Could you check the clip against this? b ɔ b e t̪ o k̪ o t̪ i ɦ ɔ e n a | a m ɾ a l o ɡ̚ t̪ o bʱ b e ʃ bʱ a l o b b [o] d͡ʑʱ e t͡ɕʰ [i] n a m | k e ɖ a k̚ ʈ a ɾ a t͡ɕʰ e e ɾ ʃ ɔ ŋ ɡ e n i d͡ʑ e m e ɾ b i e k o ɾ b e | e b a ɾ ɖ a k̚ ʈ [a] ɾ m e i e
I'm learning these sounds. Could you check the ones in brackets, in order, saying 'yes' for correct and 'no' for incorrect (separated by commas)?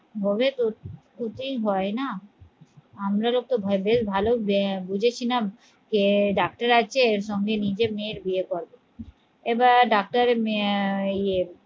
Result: no, yes, yes